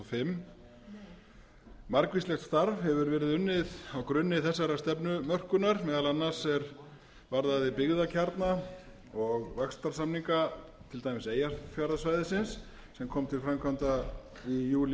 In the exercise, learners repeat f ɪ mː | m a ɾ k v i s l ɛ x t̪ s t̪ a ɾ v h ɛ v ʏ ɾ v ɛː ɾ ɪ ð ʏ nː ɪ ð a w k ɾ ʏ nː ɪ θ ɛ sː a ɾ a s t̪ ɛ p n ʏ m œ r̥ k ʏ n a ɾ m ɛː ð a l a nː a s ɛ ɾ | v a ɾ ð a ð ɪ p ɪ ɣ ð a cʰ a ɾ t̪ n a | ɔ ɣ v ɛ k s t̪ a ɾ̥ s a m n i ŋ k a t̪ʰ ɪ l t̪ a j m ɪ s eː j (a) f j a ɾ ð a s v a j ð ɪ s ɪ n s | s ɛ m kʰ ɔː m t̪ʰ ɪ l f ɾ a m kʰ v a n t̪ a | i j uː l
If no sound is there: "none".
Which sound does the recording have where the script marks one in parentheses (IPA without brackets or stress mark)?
a